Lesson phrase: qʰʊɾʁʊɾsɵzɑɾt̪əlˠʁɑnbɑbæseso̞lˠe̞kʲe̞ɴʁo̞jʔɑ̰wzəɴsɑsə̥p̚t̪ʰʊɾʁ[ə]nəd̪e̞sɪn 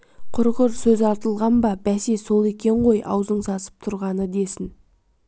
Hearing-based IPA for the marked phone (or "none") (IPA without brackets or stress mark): ɑ